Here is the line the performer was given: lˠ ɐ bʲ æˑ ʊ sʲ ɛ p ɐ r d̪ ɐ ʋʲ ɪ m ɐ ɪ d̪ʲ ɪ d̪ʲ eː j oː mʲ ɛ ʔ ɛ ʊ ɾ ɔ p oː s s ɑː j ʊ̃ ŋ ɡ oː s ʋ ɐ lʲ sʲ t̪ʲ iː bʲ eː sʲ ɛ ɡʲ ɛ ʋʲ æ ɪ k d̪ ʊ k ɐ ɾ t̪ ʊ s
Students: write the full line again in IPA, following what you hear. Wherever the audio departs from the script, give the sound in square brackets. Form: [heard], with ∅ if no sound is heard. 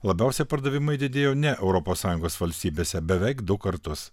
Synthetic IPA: lˠ ɐ bʲ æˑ ʊ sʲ ɛ p ɐ [ɾ] d̪ ɐ ʋʲ ɪ m ɐ ɪ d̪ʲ ɪ d̪ʲ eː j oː [nʲ] ɛ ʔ ɛ ʊ ɾ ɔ p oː s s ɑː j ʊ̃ ŋ ɡ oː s ʋ ɐ lʲ sʲ t̪ʲ iː bʲ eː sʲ ɛ [bʲ] ɛ ʋʲ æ ɪ k d̪ ʊ k ɐ ɾ t̪ ʊ s